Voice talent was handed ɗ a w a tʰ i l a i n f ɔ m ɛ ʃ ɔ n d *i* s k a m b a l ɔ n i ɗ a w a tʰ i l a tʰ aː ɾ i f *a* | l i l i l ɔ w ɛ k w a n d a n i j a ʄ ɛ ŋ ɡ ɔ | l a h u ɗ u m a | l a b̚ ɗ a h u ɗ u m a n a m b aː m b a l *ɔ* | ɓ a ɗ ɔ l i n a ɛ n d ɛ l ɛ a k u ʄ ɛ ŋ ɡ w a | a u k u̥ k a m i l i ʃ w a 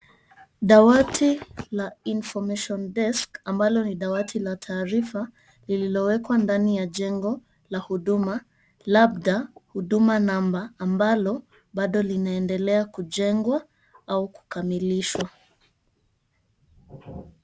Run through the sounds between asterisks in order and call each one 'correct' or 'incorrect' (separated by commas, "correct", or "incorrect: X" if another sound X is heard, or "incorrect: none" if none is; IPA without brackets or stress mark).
incorrect: ɛ, correct, correct